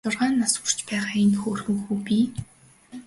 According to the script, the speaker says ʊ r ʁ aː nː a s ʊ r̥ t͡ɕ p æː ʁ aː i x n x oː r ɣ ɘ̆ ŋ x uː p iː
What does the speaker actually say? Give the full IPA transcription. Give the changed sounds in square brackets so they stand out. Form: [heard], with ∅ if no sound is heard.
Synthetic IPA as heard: ʊ r ʁ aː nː a s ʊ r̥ t͡ɕ p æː ʁ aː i [∅] n x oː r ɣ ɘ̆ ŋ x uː p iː